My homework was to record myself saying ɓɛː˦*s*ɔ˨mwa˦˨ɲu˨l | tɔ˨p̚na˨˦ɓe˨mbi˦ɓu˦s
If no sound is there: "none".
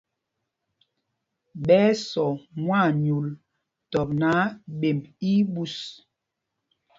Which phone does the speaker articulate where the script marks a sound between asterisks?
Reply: s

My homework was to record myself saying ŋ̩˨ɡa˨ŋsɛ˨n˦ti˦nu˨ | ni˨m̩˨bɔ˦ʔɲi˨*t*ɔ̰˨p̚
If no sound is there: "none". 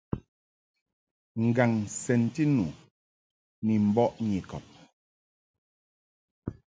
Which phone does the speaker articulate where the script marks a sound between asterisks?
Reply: k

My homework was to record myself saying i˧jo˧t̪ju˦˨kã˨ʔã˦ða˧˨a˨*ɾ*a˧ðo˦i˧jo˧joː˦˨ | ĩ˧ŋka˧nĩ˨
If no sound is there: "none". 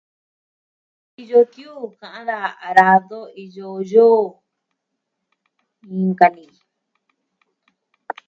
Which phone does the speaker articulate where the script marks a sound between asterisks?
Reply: ɾ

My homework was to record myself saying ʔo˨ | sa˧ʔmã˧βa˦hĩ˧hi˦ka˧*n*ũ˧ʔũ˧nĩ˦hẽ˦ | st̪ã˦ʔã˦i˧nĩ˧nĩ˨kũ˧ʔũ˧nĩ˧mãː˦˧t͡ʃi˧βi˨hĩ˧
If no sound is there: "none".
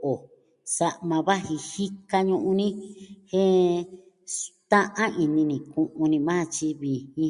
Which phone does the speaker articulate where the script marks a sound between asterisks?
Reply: ɲ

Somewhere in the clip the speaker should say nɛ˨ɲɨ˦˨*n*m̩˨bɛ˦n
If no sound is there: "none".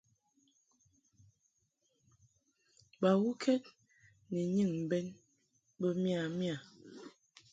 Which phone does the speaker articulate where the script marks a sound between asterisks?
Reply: ŋ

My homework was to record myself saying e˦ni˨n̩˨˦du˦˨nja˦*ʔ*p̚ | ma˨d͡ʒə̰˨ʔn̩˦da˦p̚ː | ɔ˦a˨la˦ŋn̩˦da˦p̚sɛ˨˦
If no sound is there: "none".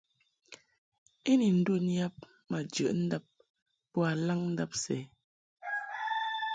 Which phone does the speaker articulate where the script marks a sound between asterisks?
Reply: none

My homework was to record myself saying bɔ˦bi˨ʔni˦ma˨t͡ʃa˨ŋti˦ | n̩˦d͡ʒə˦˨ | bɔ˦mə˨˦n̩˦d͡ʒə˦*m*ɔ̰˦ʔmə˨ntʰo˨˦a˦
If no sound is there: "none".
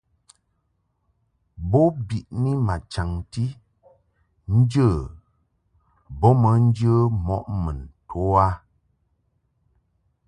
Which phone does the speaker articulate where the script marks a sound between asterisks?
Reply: m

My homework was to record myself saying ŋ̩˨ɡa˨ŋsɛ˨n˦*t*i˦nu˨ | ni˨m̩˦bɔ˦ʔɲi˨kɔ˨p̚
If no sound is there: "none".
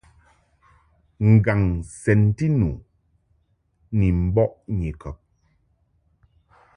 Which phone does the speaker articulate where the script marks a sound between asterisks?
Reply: t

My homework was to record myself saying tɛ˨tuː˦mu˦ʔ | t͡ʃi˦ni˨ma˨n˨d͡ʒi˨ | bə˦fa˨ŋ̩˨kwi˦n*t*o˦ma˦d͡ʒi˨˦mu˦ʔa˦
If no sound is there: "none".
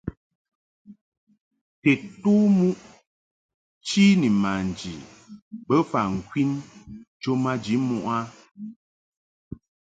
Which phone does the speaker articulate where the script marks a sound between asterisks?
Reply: t͡ʃ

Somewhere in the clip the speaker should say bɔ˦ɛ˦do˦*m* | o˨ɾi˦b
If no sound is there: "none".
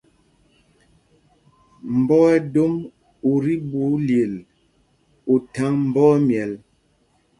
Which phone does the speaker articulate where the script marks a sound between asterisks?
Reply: m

